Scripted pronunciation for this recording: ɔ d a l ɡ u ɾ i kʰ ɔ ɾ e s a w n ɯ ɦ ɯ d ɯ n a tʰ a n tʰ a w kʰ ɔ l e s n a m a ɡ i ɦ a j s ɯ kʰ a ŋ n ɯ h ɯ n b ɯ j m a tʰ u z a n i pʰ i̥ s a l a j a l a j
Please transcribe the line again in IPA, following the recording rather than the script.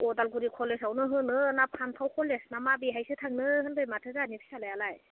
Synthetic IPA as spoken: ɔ d a l ɡ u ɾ i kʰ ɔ l e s a w n ɯ ɦ ɯ n ɯ n a pʰ a n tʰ a w kʰ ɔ l e s n a m a b i ɦ a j s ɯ tʰ a ŋ n ɯ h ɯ n b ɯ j m a tʰ ɯ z a n i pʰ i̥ s a l a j a l a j